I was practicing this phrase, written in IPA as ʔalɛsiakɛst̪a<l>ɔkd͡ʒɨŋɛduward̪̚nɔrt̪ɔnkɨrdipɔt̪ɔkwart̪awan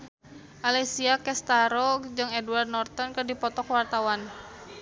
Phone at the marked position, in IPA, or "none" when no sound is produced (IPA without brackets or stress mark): ɾ